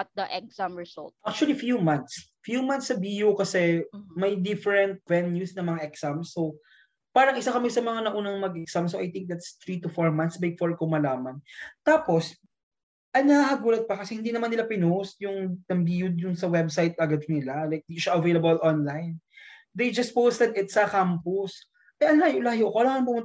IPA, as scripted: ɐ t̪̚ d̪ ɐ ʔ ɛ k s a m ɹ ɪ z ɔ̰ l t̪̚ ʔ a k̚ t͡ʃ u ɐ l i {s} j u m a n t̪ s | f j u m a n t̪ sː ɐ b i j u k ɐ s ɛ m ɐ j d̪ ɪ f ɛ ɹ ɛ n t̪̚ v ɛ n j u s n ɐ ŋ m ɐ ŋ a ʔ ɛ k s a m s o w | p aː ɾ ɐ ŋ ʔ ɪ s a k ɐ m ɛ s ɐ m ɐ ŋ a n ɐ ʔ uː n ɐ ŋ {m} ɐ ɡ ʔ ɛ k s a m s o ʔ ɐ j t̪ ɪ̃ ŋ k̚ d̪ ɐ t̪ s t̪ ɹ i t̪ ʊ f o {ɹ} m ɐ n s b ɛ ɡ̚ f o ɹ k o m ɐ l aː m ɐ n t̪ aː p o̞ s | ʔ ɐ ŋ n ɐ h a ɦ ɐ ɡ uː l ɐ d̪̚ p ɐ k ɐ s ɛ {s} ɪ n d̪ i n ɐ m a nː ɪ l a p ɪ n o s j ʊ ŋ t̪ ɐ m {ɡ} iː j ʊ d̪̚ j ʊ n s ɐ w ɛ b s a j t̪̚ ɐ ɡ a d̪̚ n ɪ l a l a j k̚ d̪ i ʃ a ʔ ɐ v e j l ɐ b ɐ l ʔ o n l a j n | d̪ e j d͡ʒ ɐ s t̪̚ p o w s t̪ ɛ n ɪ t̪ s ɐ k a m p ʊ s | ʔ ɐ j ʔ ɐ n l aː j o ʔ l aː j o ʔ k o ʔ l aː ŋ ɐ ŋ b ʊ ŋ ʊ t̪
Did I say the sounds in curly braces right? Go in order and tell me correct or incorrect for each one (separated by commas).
incorrect, correct, correct, incorrect, incorrect